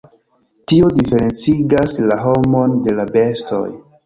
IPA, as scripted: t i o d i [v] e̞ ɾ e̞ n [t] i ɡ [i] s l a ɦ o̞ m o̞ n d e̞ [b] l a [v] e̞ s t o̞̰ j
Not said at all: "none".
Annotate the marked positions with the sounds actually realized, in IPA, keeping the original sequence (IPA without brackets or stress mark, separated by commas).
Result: f, t͡s, a, none, b